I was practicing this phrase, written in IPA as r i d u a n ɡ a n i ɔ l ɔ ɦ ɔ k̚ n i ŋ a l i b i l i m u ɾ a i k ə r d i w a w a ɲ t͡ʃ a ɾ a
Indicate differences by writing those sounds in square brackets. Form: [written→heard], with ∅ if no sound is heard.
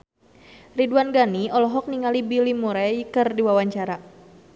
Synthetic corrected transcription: r i d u a n ɡ a n i ɔ l ɔ ɦ ɔ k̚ n i ŋ a l i b i l i m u ɾ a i k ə r d i w a w a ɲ t͡ʃ a ɾ a

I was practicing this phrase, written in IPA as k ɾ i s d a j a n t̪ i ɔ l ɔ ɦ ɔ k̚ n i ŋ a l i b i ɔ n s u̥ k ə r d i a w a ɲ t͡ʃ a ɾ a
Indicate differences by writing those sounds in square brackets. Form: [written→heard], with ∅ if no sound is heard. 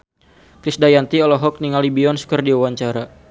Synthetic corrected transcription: k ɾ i s d a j a n t̪ i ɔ l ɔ ɦ ɔ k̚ n i ŋ a l i b i ɔ n s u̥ k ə r d i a w a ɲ t͡ʃ a ɾ a

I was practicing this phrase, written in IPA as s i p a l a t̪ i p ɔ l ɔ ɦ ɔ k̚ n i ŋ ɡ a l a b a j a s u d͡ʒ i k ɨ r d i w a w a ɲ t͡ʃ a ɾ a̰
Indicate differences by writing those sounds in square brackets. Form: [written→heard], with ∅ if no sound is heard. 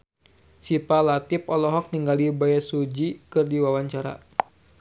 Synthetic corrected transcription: s i p a l a t̪ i p ɔ l ɔ ɦ ɔ k̚ n i ŋ ɡ a l [a→i] b a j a s u d͡ʒ i k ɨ r d i w a w a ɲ t͡ʃ a ɾ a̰

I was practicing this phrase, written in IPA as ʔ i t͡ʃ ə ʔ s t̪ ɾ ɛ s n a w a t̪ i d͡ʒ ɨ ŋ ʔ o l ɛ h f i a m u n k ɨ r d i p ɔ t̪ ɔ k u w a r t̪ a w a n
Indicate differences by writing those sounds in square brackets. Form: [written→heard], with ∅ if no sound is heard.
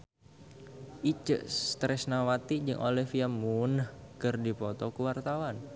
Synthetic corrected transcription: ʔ i t͡ʃ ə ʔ s t̪ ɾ ɛ s n a w a t̪ i d͡ʒ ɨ ŋ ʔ o l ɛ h f i a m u n k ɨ r d i p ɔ t̪ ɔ k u w a r t̪ a w a n

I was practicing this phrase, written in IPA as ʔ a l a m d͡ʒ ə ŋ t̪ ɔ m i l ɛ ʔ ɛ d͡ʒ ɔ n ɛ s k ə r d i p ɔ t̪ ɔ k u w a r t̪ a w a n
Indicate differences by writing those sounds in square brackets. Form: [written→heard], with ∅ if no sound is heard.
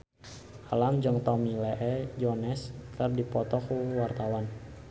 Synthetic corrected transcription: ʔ a l a m d͡ʒ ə ŋ t̪ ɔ m i l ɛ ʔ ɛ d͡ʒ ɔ n ɛ s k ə r d i p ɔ t̪ ɔ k u w a r t̪ a w a n

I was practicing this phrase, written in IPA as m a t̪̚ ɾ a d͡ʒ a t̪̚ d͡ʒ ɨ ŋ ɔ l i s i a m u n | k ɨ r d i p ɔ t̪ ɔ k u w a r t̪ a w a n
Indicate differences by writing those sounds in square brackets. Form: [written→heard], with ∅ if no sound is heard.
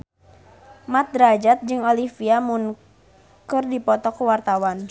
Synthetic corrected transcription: m a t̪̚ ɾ a d͡ʒ a t̪̚ d͡ʒ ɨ ŋ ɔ l i [s→f] i a m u n | k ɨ r d i p ɔ t̪ ɔ k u w a r t̪ a w a n

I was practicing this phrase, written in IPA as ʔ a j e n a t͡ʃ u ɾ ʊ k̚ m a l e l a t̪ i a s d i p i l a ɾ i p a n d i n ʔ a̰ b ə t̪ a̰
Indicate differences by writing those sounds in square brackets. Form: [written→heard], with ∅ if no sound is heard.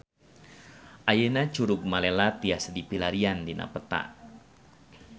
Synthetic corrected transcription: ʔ a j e n a t͡ʃ u ɾ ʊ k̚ m a l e l a t̪ i a s d i p i l a ɾ i [p→∅] a n d i n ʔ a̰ [b→p] ə t̪ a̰

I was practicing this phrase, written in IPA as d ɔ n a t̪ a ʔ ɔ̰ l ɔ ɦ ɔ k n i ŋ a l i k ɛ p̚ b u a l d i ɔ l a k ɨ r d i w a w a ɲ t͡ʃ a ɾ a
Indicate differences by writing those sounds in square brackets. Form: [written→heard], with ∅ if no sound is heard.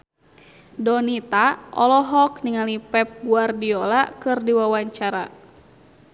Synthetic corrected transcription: d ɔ n [a→i] t̪ a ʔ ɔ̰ l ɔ ɦ ɔ k n i ŋ a l i [k→p] ɛ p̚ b u a [l→r] d i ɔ l a k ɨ r d i w a w a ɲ t͡ʃ a ɾ a

